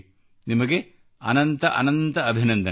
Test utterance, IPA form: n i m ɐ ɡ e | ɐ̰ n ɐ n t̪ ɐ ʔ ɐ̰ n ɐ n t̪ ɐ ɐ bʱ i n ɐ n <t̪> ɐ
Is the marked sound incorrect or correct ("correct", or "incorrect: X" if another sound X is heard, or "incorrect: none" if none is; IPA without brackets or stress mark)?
incorrect: d̪